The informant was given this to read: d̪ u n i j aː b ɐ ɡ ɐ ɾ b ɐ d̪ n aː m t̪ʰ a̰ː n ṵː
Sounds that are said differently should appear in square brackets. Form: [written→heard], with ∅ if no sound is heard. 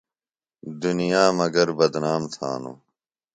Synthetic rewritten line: d̪ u n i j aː [b→m] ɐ ɡ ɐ ɾ b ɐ d̪ n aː m t̪ʰ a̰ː n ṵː